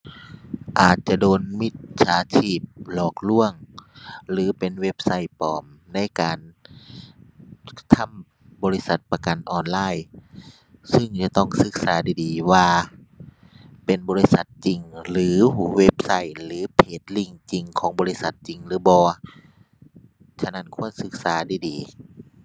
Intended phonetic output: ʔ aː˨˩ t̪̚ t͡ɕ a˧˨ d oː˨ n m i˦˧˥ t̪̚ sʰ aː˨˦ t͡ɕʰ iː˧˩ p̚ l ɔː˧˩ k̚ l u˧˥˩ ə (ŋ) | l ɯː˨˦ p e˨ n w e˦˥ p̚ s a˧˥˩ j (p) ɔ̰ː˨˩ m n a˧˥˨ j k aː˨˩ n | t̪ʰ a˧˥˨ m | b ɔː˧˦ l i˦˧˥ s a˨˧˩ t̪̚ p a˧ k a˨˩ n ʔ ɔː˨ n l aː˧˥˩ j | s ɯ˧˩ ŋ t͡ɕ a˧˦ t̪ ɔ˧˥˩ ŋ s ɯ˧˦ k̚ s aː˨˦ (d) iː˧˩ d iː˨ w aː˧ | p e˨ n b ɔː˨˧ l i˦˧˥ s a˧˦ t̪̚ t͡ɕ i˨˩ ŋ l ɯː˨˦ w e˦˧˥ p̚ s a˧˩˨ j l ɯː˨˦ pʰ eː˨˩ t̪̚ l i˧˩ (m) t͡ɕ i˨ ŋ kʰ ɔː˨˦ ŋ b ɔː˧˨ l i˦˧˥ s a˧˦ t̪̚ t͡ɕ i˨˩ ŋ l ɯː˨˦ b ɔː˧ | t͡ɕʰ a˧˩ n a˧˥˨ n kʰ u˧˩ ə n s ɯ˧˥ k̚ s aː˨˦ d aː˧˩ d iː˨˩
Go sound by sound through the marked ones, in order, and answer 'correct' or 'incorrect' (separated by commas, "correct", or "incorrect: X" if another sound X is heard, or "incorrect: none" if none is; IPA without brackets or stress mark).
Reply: correct, correct, correct, incorrect: ŋ